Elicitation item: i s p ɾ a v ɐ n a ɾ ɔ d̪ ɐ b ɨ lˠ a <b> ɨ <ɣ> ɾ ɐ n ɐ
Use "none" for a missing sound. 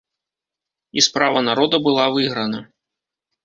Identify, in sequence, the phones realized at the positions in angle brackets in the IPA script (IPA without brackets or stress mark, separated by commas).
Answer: v, ɣ